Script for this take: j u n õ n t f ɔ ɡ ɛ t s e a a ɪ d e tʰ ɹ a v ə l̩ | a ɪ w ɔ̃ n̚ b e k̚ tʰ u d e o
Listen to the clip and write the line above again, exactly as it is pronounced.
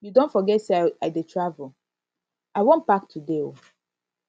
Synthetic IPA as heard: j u d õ n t f ɔ ɡ ɛ t s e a a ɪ d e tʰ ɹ a v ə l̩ | a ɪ w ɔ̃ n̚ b a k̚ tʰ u d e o

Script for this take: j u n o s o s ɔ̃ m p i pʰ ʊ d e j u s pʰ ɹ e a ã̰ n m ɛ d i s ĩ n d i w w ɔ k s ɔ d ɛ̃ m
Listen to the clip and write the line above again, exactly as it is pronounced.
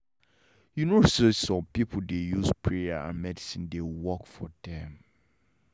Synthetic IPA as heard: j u n o s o s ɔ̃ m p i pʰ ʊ d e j u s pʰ ɹ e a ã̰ n m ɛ d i s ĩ n d e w w ɔ k f ɔ d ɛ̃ m

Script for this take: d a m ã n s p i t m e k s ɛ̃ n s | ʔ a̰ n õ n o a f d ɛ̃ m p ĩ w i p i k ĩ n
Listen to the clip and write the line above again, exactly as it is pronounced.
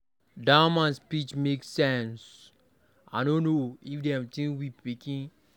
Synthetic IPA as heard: d a m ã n s p i t͡ʃ m e k s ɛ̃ n s | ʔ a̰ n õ n o i f d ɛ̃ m t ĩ w i p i k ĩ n

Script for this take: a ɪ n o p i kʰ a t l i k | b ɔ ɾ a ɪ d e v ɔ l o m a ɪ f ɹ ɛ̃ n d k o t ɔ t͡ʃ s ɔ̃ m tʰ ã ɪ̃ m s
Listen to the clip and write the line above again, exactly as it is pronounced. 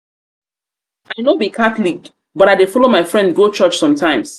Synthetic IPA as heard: a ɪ n o b i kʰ a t l i k | b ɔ ɾ a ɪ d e f ɔ l o m a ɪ f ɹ ɛ̃ n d ɡ o t͡ʃ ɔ t͡ʃ s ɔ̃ m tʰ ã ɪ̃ m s

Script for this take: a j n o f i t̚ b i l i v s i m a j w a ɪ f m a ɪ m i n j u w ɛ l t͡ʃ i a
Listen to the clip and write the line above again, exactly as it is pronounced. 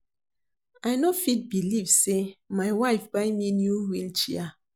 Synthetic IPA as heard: a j n o f i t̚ b i l i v s e m a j w a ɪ f b a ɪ m i n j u w i l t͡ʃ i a

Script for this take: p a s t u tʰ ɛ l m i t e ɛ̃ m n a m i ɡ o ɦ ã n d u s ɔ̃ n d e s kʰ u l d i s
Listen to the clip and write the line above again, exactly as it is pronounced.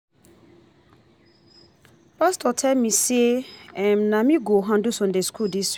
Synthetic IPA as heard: p a s t ɔ tʰ ɛ l m i s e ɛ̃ m n a m i ɡ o ɦ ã n d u s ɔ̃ n d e s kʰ u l d i s

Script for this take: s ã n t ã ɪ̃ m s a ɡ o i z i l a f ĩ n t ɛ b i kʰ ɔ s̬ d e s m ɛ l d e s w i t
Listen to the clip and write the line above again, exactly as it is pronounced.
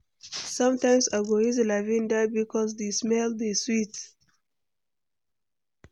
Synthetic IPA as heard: s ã m t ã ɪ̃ m s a ɡ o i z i l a v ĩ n d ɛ b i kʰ ɔ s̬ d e s m ɛ l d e s w i t

